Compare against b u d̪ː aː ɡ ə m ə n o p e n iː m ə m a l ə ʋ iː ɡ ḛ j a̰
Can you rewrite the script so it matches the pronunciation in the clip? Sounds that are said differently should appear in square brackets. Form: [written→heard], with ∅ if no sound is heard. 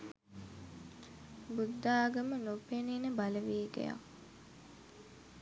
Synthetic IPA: b u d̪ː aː ɡ ə m ə n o p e n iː [m→n] ə [m→b] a l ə ʋ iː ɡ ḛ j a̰